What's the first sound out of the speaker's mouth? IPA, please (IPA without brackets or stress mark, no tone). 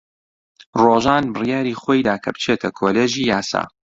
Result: r